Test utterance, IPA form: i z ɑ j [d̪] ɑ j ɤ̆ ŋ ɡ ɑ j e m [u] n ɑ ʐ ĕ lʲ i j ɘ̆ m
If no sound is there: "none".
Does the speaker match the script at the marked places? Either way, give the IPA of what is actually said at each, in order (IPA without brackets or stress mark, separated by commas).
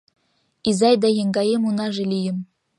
d̪, u